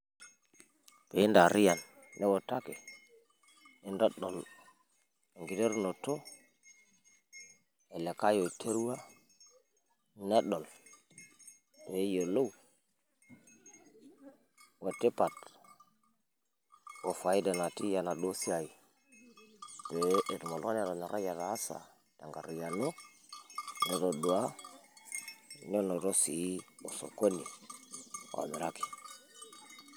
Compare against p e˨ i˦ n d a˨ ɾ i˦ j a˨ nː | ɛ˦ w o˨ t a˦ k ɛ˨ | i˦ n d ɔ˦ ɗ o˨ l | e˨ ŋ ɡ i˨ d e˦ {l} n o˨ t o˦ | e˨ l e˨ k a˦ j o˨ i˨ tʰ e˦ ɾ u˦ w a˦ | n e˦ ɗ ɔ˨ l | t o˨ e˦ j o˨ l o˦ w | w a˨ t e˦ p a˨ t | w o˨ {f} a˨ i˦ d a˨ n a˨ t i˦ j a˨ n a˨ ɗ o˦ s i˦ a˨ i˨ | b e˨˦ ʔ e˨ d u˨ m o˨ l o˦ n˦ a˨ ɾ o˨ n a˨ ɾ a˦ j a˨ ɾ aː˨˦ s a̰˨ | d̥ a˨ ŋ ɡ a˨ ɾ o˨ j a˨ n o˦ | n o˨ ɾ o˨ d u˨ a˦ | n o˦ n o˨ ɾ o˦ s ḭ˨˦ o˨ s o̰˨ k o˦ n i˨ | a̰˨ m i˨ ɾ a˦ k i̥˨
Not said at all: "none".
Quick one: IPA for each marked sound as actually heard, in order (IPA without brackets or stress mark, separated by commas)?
ɾ, f